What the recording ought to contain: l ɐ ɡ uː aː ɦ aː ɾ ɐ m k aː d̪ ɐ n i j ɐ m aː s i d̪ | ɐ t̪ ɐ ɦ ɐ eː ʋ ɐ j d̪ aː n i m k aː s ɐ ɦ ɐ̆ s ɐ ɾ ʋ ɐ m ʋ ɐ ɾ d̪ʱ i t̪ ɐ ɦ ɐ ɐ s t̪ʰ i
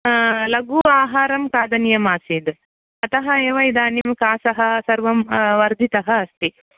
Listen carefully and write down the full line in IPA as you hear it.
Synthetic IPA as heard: l ɐ ɡ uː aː ɦ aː ɾ ɐ m k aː d̪ ɐ n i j ɐ m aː s i d̪ | ɐ t̪ ɐ ɦ ɐ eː ʋ ɐ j d̪ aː n i m k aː s ɐ ɦ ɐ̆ s ɐ ɾ ʋ ɐ m ʋ ɐ ɾ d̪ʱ i t̪ ɐ ɦ ɐ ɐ s t̪ i

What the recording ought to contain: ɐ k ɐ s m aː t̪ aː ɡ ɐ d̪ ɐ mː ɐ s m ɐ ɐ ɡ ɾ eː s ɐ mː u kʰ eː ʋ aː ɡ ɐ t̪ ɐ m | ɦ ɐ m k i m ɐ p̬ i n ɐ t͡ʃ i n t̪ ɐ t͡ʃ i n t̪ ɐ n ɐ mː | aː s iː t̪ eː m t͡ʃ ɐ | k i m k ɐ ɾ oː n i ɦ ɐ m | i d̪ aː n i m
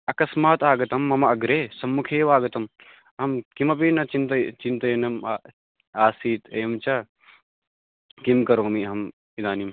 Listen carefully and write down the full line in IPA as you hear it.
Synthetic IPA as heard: ɐ k ɐ s m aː t̪ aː ɡ ɐ t̪ ɐ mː ɐ m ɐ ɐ ɡ ɾ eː s ɐ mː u kʰ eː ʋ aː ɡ ɐ t̪ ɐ m | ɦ ɐ m k i m ɐ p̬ i n ɐ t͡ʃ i n t̪ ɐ t͡ʃ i n t̪ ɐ n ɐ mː | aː s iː t̪ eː m t͡ʃ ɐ | k i m k ɐ ɾ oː m i ɦ ɐ m | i d̪ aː n i m

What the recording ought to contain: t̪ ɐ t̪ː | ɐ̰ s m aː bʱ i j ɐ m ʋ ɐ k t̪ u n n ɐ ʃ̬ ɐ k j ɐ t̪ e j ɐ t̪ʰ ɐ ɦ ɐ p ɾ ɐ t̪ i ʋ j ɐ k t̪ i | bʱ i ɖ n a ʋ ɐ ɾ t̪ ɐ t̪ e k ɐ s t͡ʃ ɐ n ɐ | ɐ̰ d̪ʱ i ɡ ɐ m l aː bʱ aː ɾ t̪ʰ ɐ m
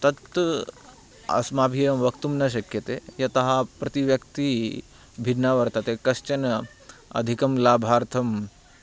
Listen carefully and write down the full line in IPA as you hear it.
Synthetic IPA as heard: t̪ ɐ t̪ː | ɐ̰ s m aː bʱ i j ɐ m ʋ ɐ k t̪ u m n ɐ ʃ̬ ɐ k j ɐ t̪ e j ɐ t̪ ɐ ɦ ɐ p ɾ ɐ t̪ i ʋ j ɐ k t̪ i | bʱ i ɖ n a ʋ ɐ ɾ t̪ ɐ t̪ e k ɐ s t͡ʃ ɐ n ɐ | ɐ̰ d̪ʱ i k ɐ m l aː bʱ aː ɾ t̪ʰ ɐ m

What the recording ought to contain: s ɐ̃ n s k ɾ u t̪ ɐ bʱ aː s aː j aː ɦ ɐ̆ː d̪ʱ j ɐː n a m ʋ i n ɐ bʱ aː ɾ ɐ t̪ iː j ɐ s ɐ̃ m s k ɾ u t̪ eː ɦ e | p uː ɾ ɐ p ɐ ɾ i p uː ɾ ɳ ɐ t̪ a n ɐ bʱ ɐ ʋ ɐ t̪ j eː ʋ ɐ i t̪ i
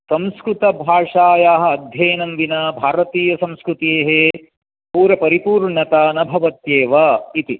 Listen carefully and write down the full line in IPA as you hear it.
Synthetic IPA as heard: s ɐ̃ m s k ɾ u t̪ ɐ bʱ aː ʂ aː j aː ɦ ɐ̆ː d̪ʱ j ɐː n ɐ m ʋ i n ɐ bʱ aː ɾ ɐ t̪ iː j ɐ s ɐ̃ m s k ɾ u t̪ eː ɦ e | p uː ɾ ɐ p ɐ ɾ i p uː ɾ ɳ ɐ t̪ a n ɐ bʱ ɐ ʋ ɐ t̪ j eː ʋ ɐ i t̪ i

